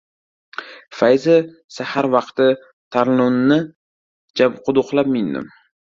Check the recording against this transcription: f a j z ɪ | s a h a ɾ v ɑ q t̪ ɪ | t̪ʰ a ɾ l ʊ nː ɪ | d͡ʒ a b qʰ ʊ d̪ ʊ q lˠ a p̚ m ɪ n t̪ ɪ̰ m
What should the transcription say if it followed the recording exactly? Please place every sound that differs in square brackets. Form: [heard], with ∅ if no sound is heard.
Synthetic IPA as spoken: f a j z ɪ | s a h a ɾ v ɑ q t̪ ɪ | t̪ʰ a ɾ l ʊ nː ɪ | d͡ʒ a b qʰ ʊ d̪ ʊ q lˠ a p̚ m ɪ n [d̪] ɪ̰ m